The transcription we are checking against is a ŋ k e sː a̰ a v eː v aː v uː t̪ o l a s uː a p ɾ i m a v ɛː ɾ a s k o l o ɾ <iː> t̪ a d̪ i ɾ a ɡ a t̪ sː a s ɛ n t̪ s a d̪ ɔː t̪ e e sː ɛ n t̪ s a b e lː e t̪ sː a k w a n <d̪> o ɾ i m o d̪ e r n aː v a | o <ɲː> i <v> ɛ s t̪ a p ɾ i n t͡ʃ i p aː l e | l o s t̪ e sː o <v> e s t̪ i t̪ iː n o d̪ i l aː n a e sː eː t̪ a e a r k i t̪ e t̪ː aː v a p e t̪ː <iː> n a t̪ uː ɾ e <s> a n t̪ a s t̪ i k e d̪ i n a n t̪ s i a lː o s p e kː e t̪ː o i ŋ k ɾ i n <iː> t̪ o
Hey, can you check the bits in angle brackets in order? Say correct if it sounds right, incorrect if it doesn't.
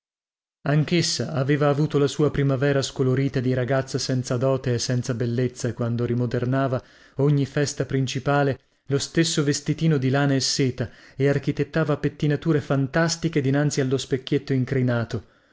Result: correct, correct, correct, incorrect: f, correct, incorrect: i, incorrect: f, incorrect: aː

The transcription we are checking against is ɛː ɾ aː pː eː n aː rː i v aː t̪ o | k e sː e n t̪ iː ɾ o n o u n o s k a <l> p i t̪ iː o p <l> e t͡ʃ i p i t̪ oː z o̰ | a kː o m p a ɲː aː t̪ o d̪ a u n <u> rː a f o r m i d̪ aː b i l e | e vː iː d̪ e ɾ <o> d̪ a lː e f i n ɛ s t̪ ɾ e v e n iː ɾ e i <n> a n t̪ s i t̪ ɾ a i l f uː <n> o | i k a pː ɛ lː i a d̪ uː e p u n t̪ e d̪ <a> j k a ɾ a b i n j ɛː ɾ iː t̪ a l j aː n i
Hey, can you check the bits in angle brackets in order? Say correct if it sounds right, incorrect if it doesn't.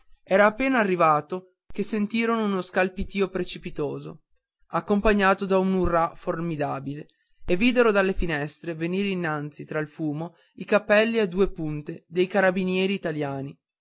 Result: correct, incorrect: ɾ, correct, correct, incorrect: nː, incorrect: m, incorrect: e

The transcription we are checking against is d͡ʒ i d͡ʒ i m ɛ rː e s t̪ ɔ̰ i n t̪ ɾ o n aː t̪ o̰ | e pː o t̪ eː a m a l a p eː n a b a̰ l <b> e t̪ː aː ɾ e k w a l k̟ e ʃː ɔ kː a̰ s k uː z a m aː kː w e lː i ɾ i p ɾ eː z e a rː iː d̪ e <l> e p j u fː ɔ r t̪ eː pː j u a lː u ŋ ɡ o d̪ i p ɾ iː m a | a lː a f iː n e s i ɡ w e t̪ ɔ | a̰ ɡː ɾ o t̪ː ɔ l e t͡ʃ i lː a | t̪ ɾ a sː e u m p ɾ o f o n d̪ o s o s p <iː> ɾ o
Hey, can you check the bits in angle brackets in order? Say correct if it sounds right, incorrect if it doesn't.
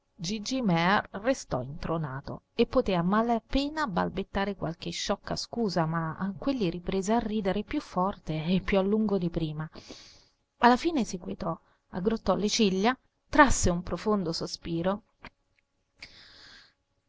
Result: correct, incorrect: ɾ, correct

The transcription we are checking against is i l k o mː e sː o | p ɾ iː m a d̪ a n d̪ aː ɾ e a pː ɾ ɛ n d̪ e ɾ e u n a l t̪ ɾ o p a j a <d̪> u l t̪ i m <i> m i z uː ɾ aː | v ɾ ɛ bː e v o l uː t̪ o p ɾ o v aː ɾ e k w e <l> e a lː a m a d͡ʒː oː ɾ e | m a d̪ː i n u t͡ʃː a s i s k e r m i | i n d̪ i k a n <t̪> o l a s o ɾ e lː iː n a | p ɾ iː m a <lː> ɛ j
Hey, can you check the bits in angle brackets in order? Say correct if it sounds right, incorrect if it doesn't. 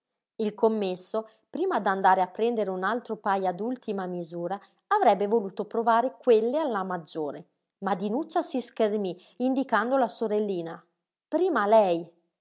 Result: correct, incorrect: a, incorrect: lː, incorrect: d̪, incorrect: l

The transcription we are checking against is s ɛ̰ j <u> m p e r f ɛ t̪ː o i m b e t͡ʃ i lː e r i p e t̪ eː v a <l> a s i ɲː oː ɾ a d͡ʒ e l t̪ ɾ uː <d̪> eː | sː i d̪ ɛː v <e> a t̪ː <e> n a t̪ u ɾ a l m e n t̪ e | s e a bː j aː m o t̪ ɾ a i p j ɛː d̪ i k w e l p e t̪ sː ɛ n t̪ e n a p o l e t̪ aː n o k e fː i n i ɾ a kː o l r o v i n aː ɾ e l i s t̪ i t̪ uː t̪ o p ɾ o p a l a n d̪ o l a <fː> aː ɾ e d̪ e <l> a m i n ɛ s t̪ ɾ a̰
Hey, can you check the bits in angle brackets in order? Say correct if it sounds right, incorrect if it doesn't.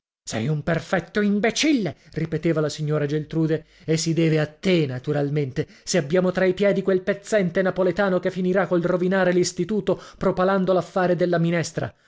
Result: correct, correct, correct, correct, correct, correct, incorrect: lː

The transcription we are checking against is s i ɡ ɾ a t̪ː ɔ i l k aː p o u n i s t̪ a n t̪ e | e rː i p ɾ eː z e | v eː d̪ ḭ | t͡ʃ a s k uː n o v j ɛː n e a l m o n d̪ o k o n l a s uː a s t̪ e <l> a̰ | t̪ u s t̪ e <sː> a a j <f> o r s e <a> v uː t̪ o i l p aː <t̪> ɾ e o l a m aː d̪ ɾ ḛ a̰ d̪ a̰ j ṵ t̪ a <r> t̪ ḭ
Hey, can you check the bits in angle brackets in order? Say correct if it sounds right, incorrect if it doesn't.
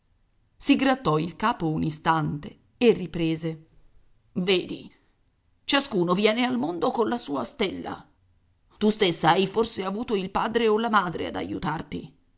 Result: incorrect: lː, correct, correct, correct, incorrect: d̪, correct

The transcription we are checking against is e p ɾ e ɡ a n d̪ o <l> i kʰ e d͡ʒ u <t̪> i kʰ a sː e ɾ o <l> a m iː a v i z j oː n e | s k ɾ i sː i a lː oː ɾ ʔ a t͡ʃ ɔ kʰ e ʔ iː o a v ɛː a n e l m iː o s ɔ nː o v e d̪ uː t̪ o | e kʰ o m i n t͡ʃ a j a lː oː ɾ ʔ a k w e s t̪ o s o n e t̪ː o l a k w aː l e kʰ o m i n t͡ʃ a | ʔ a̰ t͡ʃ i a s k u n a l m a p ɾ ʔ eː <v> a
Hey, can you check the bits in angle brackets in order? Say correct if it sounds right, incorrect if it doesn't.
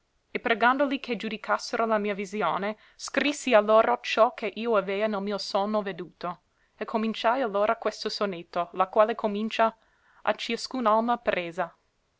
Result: correct, incorrect: d̪, correct, incorrect: z

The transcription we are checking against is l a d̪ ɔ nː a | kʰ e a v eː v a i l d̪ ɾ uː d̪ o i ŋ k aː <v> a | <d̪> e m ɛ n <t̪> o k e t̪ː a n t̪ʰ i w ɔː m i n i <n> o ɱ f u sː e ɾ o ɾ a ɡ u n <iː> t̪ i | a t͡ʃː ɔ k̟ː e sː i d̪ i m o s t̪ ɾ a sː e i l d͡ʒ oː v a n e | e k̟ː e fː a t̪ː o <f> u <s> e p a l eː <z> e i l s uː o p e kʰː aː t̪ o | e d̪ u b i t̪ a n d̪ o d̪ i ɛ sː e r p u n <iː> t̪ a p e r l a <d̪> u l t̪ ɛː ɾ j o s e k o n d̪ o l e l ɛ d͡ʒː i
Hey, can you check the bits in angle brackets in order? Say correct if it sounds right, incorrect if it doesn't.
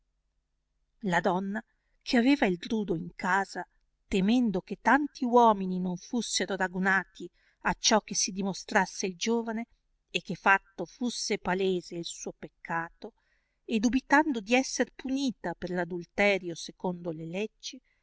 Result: incorrect: z, incorrect: t̪, incorrect: d̪, correct, incorrect: aː, correct, incorrect: sː, correct, correct, correct

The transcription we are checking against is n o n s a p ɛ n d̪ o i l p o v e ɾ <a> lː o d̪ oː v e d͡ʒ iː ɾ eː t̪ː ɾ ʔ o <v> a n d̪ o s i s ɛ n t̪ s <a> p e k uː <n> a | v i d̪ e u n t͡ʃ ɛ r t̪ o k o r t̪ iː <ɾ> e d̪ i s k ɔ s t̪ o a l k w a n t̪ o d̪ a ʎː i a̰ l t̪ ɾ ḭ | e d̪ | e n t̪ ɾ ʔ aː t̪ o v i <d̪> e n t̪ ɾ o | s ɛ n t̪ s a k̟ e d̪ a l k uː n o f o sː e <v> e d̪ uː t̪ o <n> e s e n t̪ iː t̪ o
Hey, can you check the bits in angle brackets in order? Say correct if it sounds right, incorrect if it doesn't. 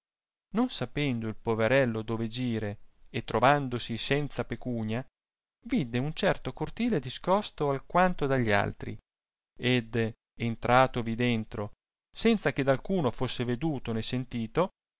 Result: incorrect: ɛ, correct, correct, incorrect: ɲ, incorrect: l, correct, correct, correct

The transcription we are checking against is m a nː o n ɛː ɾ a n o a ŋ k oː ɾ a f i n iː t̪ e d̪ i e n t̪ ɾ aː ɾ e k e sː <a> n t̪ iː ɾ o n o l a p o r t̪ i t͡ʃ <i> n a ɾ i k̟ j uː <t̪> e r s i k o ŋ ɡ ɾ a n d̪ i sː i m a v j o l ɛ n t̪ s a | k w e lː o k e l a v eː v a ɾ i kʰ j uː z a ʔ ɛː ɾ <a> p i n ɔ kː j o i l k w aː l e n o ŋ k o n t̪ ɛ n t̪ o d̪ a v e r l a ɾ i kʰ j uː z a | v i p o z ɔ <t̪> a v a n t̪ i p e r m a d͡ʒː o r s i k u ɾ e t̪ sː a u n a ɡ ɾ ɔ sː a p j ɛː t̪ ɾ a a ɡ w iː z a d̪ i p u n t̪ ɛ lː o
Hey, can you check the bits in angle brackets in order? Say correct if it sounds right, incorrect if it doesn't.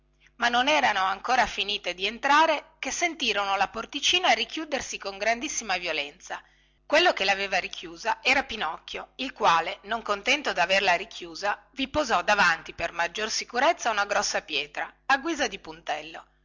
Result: incorrect: e, incorrect: iː, incorrect: d̪, correct, incorrect: d̪

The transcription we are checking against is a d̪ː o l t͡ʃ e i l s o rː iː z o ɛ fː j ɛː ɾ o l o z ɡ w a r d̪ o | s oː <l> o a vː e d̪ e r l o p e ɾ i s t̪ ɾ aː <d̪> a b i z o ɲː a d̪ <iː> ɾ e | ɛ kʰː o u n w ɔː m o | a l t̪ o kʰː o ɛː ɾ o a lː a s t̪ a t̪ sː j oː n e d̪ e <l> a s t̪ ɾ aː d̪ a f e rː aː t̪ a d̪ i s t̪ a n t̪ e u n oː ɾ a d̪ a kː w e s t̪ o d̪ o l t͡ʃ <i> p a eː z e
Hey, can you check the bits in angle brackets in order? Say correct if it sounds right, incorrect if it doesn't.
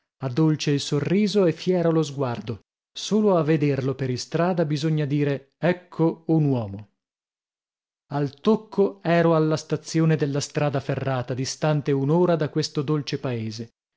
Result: correct, correct, correct, incorrect: lː, incorrect: e

